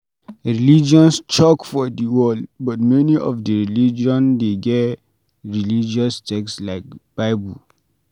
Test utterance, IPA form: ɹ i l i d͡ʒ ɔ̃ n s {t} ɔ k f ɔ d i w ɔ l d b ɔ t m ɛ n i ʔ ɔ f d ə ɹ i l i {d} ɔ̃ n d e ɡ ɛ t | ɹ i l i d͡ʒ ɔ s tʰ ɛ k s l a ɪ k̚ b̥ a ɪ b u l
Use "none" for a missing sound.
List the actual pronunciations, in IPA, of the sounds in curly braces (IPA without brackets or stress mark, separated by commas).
t͡ʃ, d͡ʒ